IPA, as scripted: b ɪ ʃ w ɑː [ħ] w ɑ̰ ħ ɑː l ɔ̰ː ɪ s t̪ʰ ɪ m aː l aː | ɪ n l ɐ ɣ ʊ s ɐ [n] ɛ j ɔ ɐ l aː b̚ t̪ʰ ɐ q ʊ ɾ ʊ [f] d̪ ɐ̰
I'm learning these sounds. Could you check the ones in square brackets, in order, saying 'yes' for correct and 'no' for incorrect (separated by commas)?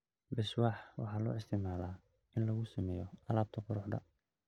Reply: yes, no, no